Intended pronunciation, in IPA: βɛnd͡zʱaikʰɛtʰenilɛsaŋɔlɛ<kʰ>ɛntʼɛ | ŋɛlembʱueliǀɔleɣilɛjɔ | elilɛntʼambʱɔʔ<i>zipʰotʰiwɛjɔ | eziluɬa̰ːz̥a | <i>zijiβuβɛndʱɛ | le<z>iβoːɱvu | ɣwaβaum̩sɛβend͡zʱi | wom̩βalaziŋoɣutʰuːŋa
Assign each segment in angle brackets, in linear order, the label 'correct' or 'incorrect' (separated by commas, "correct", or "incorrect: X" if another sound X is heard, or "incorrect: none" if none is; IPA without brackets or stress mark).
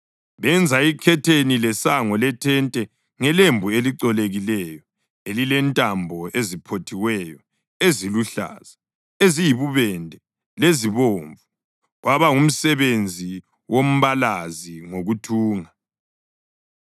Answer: incorrect: tʰ, incorrect: e, incorrect: e, correct